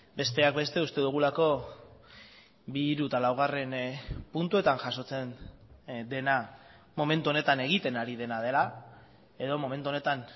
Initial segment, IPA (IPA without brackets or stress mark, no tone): b